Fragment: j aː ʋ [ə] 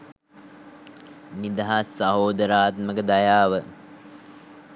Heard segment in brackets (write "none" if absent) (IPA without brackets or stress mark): ə